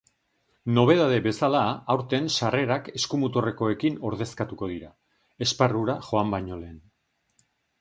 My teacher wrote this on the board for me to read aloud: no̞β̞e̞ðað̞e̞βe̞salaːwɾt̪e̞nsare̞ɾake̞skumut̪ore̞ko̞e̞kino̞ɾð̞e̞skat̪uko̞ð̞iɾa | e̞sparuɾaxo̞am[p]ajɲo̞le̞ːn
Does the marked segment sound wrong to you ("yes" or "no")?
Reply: yes